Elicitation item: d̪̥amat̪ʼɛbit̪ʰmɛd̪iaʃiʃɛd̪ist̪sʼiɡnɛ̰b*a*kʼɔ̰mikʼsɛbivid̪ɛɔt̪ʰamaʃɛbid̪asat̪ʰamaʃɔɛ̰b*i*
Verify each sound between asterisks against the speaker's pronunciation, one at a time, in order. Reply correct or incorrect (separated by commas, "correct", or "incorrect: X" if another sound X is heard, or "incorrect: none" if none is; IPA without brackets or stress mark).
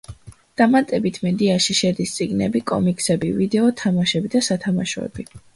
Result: incorrect: i, correct